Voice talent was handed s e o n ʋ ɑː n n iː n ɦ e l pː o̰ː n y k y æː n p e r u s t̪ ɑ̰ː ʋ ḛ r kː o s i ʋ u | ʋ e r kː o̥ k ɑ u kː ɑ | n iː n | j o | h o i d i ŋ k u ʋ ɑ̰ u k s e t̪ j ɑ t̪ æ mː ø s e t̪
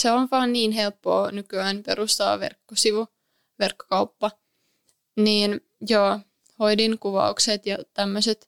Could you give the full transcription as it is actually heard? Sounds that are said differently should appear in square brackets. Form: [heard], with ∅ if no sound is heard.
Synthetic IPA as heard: s e o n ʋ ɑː n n iː n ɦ e l pː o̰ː n y k y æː n p e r u s t̪ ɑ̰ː ʋ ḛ r kː o s i ʋ u | ʋ e r kː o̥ k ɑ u [pː] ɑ | n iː n | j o | h o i d i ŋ k u ʋ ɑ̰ u k s e t̪ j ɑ t̪ æ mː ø s e t̪